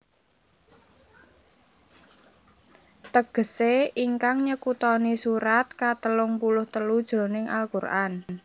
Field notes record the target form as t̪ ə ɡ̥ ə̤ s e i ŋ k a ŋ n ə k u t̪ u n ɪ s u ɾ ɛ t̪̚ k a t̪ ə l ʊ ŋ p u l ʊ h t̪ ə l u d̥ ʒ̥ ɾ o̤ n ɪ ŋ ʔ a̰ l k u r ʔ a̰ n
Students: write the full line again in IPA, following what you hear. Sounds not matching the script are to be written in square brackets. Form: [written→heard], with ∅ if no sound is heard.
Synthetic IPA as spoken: t̪ ə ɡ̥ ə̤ s e i ŋ k a ŋ [n→ɲ] ə k u t̪ [u→ɔ] n [ɪ→i] s u ɾ [ɛ→a] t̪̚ k a t̪ ə l ʊ ŋ p u l ʊ h t̪ ə l u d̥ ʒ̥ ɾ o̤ n ɪ ŋ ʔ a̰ l k u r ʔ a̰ n